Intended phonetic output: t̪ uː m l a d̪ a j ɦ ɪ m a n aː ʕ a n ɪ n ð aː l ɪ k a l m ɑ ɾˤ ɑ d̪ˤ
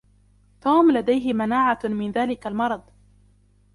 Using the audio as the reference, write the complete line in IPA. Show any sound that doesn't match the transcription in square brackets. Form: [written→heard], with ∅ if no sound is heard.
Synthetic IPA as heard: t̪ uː m l a d̪ a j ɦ ɪ m a n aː ʕ a [n→m] ɪ n ð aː l ɪ k a l m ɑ ɾˤ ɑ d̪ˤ

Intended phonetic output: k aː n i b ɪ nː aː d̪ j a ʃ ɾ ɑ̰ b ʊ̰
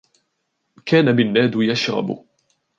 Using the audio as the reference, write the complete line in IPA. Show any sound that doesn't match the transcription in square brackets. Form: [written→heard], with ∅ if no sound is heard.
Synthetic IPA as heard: k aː n [i→a] b ɪ nː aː d̪ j a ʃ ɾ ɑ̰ b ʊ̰

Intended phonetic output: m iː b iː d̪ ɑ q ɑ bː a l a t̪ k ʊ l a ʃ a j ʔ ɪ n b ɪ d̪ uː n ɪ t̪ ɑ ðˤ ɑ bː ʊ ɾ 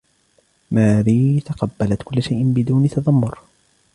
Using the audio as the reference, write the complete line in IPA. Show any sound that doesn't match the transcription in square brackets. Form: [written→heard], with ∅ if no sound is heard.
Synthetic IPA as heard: m [iː→aː] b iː [d̪→t̪] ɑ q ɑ bː a l a t̪ k ʊ [l→lː] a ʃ a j ʔ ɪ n b ɪ d̪ uː n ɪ t̪ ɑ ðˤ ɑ [bː→mː] ʊ ɾ

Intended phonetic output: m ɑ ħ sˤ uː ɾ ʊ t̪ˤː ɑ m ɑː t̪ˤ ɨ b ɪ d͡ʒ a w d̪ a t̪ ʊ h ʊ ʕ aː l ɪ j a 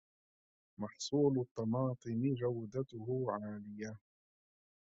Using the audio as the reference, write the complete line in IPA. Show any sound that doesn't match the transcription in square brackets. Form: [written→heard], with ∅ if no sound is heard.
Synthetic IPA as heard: m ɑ ħ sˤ uː [ɾ→l] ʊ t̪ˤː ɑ m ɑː t̪ˤ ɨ [b→m] ɪ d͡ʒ a w d̪ a t̪ ʊ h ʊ ʕ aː l ɪ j a

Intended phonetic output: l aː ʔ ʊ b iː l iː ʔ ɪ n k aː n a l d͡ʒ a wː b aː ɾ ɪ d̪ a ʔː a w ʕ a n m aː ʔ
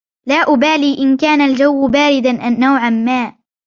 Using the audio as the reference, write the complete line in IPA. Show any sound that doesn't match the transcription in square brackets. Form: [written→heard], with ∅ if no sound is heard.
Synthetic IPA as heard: l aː ʔ ʊ b [iː→aː] l iː ʔ ɪ n k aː n a l d͡ʒ a wː b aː ɾ ɪ d̪ a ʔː a w ʕ a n m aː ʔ

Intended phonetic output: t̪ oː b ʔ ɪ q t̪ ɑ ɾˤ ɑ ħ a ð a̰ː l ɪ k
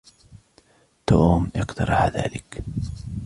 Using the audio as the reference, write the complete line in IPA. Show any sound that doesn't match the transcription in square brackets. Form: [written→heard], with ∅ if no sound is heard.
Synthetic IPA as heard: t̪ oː [b→m] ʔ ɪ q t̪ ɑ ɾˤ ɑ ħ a ð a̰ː l ɪ k

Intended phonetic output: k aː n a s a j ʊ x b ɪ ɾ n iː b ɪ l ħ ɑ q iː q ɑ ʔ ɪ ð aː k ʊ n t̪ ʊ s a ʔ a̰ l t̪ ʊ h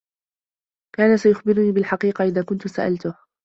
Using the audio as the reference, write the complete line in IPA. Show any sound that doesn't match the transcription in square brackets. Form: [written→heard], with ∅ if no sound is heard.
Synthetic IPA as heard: k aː n a s a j ʊ x b ɪ ɾ n iː b ɪ l ħ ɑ q iː q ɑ ʔ ɪ ð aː k ʊ n t̪ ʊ s a ʔ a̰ l t̪ ʊ h

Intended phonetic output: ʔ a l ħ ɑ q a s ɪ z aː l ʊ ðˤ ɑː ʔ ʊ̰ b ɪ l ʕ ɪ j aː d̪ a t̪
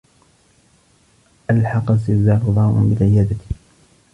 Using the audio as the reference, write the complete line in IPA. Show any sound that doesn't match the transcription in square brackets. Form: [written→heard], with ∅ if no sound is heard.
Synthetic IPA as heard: ʔ a l ħ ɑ q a s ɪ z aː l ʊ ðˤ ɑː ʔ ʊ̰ b ɪ l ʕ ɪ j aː d̪ a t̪

